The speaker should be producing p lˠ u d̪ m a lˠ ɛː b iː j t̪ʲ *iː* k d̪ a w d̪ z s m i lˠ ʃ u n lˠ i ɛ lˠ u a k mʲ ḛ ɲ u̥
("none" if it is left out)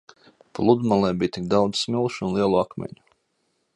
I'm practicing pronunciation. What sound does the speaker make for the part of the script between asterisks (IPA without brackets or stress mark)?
i